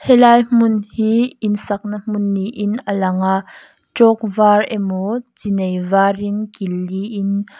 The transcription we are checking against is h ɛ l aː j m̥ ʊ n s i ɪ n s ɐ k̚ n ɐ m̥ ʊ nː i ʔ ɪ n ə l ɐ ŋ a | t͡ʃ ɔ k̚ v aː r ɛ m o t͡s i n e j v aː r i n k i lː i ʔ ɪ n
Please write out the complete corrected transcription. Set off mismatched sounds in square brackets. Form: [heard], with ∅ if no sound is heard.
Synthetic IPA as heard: h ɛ l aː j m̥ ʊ n [h] i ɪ n s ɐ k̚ n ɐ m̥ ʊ nː i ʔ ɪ n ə l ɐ ŋ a | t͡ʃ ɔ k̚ v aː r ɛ m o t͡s i n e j v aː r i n k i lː i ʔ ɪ n

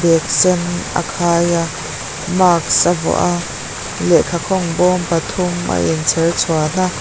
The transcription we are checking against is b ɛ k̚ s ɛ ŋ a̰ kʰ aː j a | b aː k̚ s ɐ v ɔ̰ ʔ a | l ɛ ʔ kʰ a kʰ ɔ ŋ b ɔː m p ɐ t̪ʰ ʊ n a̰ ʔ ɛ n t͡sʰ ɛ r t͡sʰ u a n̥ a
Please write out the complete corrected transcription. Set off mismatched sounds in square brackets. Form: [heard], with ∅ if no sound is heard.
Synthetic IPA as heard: b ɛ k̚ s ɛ [n] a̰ kʰ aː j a | [m] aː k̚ s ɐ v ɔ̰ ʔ a | l ɛ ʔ kʰ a kʰ ɔ ŋ b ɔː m p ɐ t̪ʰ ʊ [m] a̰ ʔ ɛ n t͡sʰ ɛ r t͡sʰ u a n̥ a

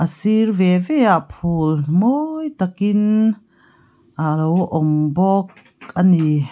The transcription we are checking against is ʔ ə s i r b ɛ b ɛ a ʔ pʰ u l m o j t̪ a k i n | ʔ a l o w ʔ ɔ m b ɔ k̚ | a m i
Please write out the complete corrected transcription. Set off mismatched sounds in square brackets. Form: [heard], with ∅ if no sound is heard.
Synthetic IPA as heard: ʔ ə s i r [v] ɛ [v] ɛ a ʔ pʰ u l m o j t̪ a k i n | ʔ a l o w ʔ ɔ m b ɔ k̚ | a [n] i

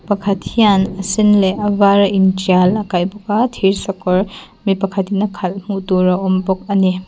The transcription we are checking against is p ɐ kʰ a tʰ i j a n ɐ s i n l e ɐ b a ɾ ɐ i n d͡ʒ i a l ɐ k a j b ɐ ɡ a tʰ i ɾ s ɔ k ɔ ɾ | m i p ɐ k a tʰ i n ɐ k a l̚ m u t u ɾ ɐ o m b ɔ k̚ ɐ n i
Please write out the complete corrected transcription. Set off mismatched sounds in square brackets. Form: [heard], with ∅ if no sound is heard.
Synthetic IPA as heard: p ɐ kʰ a tʰ i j a n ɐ s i n l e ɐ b a ɾ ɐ i n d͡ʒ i a l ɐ k a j b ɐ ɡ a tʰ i ɾ s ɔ k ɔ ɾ | m i p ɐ [kʰ] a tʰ i n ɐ [kʰ] a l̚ m u t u ɾ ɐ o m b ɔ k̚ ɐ n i

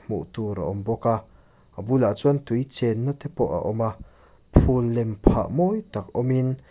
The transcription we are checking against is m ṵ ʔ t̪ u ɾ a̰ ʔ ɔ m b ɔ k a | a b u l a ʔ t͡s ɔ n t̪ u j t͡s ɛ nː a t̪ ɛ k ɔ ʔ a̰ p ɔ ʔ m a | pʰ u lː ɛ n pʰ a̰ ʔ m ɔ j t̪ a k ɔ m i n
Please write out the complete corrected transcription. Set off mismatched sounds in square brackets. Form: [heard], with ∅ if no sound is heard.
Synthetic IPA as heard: m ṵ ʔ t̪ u ɾ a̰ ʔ ɔ m b ɔ k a | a b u l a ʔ t͡s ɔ n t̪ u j t͡s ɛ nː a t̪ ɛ [p] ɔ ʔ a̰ [ʔ] ɔ [∅] m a | pʰ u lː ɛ [m] pʰ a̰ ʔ m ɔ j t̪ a k ɔ m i n

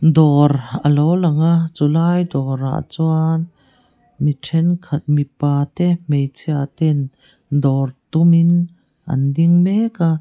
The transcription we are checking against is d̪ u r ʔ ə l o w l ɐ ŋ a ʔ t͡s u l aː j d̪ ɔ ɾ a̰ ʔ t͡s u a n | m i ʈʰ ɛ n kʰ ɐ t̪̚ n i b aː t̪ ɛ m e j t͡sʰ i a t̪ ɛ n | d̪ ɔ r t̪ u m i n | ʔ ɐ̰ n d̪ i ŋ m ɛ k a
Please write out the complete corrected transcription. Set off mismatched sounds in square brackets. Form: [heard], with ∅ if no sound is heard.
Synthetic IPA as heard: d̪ [ɔ] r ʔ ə l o w l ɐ ŋ a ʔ t͡s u l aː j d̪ ɔ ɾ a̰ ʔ t͡s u a n | m i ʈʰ ɛ n kʰ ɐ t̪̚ [m] i [p] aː t̪ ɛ m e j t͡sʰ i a t̪ ɛ n | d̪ ɔ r t̪ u m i n | ʔ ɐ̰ n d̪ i ŋ m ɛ k a

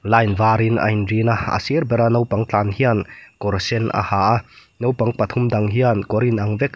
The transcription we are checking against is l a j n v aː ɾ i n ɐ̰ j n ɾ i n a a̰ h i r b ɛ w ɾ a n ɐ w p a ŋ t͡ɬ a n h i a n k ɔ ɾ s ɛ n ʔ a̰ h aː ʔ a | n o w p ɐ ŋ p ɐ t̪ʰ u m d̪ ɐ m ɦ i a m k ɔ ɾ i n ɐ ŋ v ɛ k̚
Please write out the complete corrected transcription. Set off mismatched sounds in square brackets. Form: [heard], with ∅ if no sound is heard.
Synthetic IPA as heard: l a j n v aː ɾ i n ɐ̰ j n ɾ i n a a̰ [s] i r b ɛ [∅] ɾ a n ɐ w p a ŋ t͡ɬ a n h i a n k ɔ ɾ s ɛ n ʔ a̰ h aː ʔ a | n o w p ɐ ŋ p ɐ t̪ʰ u m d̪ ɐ [ŋ] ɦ i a [n] k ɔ ɾ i n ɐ ŋ v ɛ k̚

